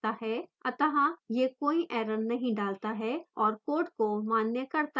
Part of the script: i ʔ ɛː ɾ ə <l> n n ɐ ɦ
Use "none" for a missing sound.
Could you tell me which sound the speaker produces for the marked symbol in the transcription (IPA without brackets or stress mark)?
none